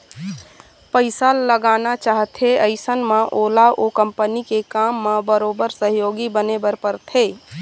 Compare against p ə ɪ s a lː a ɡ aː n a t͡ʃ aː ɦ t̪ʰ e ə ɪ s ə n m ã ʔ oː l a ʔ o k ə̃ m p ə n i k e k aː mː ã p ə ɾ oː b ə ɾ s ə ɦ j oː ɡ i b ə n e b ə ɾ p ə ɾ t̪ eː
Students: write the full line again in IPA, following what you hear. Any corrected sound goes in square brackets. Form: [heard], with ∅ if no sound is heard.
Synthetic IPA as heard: p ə ɪ s a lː [ə] ɡ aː n a t͡ʃ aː ɦ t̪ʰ e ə ɪ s ə n m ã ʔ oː l a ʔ o k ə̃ m p ə n i k e k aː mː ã [b] ə ɾ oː b ə ɾ s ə ɦ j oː ɡ i b ə n e b ə ɾ p ə ɾ [t̪ʰ] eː